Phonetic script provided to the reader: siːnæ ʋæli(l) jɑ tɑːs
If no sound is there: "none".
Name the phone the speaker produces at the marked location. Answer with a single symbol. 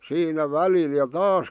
l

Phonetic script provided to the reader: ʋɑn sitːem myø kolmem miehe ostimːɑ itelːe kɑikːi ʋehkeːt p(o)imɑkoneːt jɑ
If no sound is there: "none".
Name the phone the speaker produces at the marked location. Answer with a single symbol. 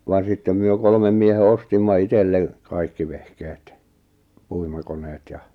u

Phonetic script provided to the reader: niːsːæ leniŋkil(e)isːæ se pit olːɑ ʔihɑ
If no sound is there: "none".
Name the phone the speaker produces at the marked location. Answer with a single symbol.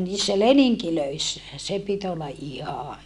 ø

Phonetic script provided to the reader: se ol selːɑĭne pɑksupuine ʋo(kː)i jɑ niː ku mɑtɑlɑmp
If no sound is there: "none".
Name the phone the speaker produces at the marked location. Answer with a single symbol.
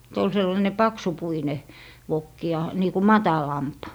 kː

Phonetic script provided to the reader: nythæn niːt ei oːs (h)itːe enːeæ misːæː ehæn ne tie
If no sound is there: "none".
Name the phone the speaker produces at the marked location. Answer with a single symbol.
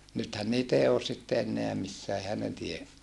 s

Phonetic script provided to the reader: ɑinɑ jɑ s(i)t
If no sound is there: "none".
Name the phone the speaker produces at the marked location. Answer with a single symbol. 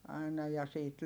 iː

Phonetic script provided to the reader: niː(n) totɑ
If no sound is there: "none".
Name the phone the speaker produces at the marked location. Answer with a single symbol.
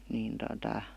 n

